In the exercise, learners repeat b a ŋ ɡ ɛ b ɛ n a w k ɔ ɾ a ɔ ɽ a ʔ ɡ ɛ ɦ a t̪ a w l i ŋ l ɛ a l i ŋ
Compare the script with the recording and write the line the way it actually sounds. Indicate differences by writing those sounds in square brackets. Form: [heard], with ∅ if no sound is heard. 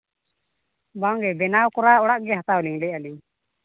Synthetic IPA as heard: b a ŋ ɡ ɛ b ɛ n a w k ɔ ɾ a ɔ ɽ a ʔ ɡ ɛ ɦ a t̪ a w l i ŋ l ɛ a l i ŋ